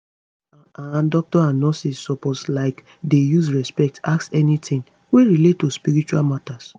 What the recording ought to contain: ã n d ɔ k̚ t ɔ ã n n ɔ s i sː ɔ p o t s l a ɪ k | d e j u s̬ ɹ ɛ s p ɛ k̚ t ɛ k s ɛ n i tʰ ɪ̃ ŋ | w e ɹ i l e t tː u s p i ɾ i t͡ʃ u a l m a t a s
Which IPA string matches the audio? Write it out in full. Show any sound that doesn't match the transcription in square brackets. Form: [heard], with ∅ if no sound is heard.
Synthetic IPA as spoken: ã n d ɔ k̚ t ɔ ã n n ɔ s i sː ɔ p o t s l a ɪ k | d e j u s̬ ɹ ɛ s p ɛ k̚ t [a] k s ɛ n i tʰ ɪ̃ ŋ | w e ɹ i l e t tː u s p i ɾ i t͡ʃ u a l m a t a s

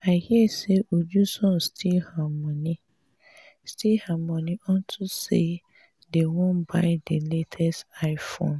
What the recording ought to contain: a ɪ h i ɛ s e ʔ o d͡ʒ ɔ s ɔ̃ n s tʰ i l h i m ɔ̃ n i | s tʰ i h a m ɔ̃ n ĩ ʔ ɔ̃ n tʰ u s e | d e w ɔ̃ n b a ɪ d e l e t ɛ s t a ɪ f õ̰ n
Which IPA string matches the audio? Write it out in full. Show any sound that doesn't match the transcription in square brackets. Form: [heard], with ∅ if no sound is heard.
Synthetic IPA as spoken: a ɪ h i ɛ s e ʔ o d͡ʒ [u] s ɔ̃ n s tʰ i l h [a] m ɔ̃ n i | s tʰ i h a m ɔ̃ n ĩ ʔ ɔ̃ n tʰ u s e | d e w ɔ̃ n b a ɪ d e l e [tʰ] ɛ s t a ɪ f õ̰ n

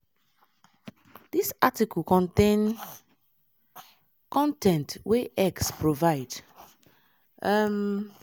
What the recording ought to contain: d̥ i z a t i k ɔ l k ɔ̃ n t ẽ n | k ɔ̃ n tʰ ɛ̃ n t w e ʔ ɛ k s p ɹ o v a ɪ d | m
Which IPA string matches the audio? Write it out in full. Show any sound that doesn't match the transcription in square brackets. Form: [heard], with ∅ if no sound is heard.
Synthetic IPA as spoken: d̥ i [s] a t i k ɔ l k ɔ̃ n t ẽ n | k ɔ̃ n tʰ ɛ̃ n t w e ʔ ɛ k s p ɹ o v a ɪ d | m

